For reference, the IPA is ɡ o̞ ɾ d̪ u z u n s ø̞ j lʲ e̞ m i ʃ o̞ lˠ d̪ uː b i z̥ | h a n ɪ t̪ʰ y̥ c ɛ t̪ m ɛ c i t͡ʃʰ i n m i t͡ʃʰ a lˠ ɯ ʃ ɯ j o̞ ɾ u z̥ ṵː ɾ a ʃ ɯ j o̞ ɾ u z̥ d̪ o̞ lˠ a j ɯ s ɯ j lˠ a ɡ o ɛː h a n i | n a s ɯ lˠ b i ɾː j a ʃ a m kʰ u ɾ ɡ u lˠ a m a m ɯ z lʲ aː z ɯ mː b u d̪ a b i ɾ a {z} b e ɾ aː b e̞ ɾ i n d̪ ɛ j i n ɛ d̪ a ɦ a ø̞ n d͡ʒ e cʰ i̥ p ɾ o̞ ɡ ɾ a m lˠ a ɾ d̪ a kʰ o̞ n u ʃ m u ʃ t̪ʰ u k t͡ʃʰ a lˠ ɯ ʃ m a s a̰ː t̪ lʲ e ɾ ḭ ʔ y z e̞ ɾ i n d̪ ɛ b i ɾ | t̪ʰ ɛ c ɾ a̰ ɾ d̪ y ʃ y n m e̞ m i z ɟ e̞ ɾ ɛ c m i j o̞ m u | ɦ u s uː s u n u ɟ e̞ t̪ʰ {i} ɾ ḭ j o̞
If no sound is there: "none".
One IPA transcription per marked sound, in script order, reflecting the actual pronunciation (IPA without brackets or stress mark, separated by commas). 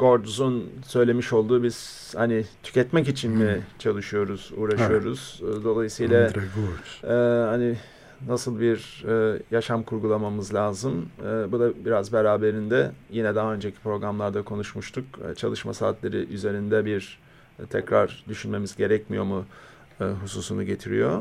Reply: z, i